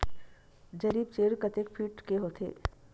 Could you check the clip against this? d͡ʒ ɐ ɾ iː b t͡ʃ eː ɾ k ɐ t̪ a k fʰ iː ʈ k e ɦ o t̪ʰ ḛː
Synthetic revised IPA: d͡ʒ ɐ ɾ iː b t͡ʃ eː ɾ k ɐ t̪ e k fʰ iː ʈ k e ɦ o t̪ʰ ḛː